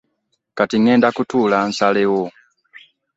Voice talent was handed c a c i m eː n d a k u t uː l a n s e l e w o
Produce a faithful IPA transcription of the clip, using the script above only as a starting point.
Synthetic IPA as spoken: k a t i ŋ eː n d a k u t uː l a n s a l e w o